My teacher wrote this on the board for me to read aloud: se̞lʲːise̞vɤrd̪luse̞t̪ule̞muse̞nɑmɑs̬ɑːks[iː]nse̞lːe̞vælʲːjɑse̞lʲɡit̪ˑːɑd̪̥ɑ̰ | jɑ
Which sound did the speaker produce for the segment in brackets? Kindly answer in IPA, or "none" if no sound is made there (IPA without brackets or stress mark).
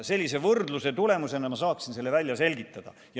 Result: i